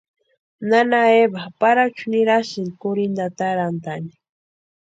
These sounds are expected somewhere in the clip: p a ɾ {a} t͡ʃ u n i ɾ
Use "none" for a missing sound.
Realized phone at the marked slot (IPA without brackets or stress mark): a